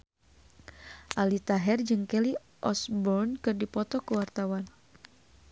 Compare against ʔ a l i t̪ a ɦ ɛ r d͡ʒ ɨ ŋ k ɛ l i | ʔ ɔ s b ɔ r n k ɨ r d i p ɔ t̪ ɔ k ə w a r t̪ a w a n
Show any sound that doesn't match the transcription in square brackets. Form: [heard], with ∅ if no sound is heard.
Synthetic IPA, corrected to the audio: ʔ a l i t̪ a ɦ ɛ r d͡ʒ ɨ ŋ k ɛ l i | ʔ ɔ s b ɔ r n k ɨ r d i p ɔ t̪ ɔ k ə w a r t̪ a w a n